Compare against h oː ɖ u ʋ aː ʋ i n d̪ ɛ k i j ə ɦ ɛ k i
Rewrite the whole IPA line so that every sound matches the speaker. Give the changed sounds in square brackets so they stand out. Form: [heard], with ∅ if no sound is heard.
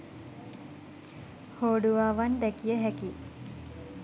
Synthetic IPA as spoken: h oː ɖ u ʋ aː ʋ [a] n d̪ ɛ k i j ə ɦ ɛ k i